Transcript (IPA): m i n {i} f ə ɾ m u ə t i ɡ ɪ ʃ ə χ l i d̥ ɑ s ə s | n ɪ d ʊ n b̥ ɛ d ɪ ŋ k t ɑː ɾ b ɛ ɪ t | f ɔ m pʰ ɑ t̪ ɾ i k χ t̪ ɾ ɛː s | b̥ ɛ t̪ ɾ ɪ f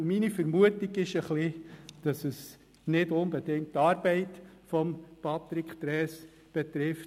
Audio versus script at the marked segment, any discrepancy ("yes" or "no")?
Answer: no